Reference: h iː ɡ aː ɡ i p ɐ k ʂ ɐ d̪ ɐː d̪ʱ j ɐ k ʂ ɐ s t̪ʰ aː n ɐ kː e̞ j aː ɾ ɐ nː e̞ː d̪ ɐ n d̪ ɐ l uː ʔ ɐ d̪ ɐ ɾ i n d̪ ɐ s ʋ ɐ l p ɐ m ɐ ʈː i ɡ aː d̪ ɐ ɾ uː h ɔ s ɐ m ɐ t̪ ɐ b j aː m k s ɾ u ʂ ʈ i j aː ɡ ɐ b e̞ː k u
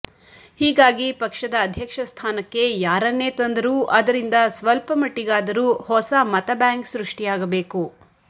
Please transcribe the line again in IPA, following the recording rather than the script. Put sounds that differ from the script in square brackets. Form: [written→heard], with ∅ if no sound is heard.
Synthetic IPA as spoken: h iː ɡ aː ɡ i p ɐ k ʂ ɐ d̪ ɐː d̪ʱ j ɐ k ʂ ɐ s t̪ʰ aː n ɐ kː e̞ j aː ɾ ɐ nː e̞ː [d̪→t̪] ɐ n d̪ ɐ [l→ɾ] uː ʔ ɐ d̪ ɐ ɾ i n d̪ ɐ s ʋ ɐ l p ɐ m ɐ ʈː i ɡ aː d̪ ɐ ɾ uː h ɔ s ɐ m ɐ t̪ ɐ b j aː [m→ŋ] k s ɾ u ʂ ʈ i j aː ɡ ɐ b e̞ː k u